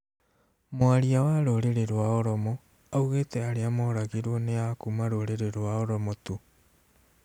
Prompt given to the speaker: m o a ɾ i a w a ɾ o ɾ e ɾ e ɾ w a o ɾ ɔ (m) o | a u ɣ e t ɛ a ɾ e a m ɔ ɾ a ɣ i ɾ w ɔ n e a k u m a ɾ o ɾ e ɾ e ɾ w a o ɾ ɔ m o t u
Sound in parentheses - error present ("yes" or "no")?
no